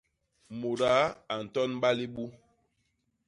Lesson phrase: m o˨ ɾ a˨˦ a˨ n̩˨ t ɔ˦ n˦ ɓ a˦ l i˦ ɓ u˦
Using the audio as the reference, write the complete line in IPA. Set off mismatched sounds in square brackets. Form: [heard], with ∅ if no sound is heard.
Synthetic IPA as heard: m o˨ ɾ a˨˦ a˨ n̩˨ t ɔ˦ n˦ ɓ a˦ l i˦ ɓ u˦

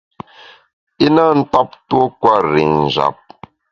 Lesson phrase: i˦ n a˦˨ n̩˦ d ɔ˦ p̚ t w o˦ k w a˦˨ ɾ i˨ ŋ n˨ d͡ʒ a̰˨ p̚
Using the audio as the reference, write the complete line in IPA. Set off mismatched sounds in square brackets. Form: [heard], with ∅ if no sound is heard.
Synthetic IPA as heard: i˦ n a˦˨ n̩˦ [t] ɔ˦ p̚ t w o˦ k w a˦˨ ɾ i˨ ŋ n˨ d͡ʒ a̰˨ p̚

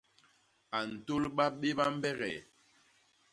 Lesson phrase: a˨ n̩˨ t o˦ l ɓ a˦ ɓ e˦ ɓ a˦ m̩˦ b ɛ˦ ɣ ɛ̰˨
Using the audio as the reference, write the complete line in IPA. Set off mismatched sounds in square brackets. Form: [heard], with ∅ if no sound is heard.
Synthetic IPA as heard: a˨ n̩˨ t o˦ l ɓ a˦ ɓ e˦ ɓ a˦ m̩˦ b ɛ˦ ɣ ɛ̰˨

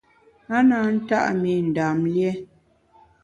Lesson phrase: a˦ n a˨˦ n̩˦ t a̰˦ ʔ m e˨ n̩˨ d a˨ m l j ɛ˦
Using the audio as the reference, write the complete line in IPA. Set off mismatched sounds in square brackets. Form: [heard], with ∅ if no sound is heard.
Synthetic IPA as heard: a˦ n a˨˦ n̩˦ t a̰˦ ʔ m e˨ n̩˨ d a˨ m l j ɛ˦

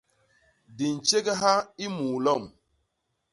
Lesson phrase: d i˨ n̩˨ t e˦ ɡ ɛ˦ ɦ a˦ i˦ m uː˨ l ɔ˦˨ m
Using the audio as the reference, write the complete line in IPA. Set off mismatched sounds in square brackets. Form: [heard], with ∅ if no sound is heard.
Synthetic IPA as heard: d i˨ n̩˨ [t͡ʃ] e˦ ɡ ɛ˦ ɦ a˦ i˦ m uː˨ l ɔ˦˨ m

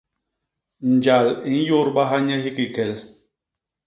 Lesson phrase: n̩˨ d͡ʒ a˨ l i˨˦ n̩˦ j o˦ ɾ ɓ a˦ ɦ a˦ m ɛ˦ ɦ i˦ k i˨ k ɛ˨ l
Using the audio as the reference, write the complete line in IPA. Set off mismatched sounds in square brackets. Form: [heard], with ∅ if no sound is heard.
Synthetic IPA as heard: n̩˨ d͡ʒ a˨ l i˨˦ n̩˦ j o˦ ɾ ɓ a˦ ɦ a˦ [ɲ] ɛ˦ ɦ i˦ k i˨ k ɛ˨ l

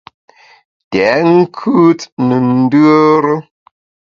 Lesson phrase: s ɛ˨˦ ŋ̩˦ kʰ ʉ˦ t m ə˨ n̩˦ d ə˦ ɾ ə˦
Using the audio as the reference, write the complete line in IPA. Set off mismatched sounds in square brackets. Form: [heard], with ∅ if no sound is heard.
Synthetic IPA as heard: [t] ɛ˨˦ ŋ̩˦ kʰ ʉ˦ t [n] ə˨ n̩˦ d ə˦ ɾ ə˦

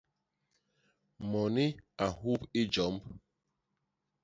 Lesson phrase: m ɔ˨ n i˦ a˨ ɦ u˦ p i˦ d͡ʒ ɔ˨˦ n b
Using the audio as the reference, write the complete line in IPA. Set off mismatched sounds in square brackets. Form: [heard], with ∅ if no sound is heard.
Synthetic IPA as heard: m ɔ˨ n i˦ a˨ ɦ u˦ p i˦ d͡ʒ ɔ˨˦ [m] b

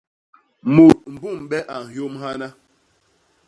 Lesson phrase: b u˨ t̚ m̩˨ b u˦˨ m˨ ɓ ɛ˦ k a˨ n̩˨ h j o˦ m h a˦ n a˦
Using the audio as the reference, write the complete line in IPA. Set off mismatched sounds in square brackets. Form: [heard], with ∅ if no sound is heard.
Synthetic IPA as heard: [m] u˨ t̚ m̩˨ b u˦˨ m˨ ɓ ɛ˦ [ʔ] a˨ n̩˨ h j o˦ m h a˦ n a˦

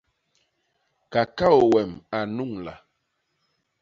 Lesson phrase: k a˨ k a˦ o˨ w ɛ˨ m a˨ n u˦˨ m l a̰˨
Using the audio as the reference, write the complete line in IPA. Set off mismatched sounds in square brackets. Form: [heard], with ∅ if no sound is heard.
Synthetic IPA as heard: k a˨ k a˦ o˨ w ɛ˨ m a˨ n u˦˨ [ŋ] l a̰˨

